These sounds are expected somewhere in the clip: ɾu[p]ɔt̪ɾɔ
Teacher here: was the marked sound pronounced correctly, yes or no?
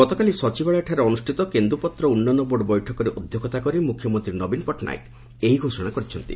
yes